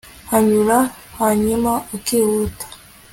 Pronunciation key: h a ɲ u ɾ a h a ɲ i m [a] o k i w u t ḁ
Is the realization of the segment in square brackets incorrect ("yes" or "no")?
no